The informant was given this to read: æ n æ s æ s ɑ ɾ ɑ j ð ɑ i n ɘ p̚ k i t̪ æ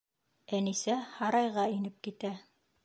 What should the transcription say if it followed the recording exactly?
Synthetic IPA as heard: æ n i s æ h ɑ ɾ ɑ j ʁ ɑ i n ɘ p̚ k i t̪ æ